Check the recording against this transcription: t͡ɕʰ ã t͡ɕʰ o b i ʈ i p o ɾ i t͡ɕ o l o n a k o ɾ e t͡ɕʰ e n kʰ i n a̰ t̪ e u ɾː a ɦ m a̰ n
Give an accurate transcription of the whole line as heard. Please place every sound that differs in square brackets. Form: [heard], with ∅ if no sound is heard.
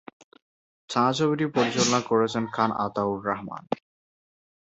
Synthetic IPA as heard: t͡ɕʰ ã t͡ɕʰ o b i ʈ i p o ɾ i t͡ɕ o l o n a k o ɾ e t͡ɕʰ e n kʰ [a] n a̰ t̪ [a] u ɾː a ɦ m a̰ n